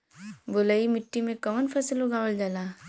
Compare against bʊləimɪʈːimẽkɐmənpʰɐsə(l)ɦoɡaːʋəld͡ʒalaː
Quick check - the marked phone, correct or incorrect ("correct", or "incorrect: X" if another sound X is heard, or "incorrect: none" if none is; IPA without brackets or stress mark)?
correct